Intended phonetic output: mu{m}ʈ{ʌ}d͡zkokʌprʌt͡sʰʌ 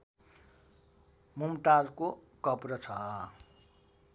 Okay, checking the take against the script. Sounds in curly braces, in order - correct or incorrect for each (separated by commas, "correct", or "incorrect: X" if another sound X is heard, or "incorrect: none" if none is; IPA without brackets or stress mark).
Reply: correct, incorrect: a